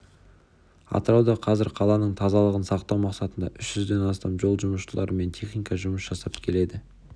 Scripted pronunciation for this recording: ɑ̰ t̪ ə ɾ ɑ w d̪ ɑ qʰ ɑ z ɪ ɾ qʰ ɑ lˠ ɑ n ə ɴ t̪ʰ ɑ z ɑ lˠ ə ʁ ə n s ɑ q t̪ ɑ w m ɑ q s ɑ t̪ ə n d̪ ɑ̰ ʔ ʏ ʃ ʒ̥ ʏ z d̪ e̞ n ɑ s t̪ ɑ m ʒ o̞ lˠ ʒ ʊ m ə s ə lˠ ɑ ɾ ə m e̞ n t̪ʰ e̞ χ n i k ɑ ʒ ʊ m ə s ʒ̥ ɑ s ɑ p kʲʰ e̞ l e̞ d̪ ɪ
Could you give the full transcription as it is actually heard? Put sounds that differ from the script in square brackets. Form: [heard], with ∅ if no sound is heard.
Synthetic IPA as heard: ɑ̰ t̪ ə ɾ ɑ w d̪ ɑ qʰ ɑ z ɪ ɾ qʰ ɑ lˠ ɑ n ə ɴ t̪ʰ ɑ z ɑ lˠ ə ʁ ə n s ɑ q t̪ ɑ w m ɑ q s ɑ t̪ ə n d̪ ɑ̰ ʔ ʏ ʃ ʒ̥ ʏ z d̪ e̞ n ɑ s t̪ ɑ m ʒ o̞ lˠ ʒ ʊ m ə [ʃ] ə lˠ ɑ ɾ ə m e̞ n t̪ʰ e̞ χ n i k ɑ ʒ ʊ m ə s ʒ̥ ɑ s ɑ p kʲʰ e̞ l e̞ d̪ ɪ